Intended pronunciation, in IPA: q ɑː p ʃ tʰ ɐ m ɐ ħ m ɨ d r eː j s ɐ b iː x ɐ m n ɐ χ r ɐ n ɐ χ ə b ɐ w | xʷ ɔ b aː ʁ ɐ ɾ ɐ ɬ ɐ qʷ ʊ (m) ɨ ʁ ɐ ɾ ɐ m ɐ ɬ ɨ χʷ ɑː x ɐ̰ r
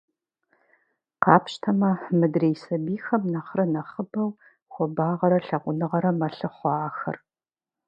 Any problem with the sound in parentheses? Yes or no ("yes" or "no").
yes